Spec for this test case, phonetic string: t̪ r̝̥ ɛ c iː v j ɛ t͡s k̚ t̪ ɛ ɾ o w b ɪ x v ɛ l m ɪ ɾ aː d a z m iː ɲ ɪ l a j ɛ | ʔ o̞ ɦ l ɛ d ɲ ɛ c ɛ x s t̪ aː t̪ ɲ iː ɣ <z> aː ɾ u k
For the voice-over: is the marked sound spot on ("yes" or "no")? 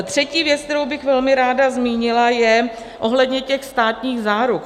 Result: yes